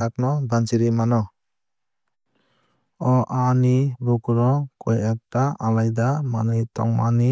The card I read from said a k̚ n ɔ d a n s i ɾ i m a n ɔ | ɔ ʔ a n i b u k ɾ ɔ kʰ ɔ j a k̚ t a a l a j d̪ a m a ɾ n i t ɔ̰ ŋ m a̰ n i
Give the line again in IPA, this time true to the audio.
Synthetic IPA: a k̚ n ɔ b a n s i ɾ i m a n ɔ | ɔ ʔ a n i b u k ɾ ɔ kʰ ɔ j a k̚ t a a l a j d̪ a m a n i t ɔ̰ ŋ m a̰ n i